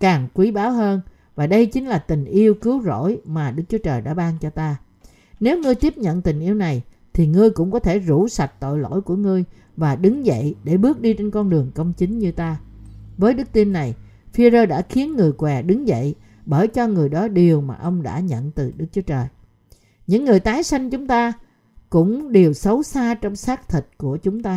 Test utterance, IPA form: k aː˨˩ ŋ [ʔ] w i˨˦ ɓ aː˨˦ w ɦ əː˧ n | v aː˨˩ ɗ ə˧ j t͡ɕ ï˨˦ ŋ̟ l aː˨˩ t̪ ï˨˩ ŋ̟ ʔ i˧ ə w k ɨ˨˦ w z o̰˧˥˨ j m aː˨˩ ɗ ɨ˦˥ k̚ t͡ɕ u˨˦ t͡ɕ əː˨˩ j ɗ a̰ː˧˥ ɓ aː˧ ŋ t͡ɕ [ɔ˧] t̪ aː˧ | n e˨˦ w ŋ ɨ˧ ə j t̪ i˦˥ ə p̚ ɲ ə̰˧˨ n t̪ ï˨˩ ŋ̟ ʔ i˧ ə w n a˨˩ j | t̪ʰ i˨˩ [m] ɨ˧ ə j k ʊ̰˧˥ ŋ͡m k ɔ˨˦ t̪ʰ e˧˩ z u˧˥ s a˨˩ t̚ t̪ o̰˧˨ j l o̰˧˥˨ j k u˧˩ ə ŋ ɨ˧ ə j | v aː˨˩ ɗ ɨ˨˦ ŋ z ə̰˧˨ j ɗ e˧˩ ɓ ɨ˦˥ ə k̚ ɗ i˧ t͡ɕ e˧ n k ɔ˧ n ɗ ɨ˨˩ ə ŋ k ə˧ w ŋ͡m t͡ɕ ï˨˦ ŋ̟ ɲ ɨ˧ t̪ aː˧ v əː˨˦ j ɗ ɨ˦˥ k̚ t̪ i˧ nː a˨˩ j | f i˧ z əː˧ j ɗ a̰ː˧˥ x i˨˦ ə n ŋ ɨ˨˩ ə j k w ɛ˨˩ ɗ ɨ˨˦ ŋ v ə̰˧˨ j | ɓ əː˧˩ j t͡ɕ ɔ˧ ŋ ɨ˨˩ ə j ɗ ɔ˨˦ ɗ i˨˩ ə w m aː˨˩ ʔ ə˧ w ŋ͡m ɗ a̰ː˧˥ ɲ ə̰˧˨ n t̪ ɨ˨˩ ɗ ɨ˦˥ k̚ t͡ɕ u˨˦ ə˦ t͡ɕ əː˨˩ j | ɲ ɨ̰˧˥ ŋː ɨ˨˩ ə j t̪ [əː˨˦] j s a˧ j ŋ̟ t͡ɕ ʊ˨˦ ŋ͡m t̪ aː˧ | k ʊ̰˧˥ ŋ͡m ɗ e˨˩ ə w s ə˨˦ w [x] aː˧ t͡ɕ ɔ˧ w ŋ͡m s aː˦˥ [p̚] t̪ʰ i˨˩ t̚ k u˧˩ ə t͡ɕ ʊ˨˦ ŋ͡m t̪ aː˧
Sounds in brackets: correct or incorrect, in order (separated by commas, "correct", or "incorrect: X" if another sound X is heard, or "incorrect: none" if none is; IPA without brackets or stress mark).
incorrect: k, correct, incorrect: ŋ, incorrect: aː˨˦, incorrect: s, incorrect: k̚